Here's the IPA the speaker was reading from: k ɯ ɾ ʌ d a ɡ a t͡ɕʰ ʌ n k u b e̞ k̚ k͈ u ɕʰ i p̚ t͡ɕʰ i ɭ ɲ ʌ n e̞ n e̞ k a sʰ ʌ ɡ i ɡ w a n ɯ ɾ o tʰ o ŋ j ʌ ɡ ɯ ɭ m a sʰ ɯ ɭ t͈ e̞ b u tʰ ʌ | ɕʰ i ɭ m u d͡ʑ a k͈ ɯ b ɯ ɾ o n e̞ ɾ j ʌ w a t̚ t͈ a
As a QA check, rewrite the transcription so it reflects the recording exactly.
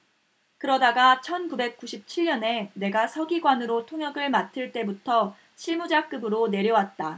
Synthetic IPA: k ɯ ɾ ʌ d a ɡ a t͡ɕʰ ʌ n k u b e̞ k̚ k͈ u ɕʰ i p̚ t͡ɕʰ i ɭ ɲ ʌ n e̞ n e̞ ɡ a sʰ ʌ ɡ i ɡ w a n ɯ ɾ o tʰ o ŋ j ʌ ɡ ɯ ɭ m a tʰ ɯ ɭ t͈ e̞ b u tʰ ʌ | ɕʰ i ɭ m u d͡ʑ a k͈ ɯ b ɯ ɾ o n e̞ ɾ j ʌ w a t̚ t͈ a